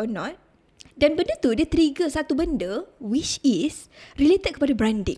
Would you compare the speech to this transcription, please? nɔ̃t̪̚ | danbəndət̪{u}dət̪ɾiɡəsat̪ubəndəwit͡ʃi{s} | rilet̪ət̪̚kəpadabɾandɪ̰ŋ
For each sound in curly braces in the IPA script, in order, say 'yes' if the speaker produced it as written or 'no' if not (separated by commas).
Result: yes, yes